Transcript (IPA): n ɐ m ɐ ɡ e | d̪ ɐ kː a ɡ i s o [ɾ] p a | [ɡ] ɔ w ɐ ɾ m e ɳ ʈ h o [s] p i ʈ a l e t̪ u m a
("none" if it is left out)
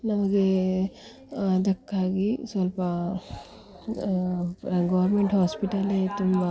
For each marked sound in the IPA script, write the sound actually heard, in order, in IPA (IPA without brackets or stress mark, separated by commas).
l, ɡ, s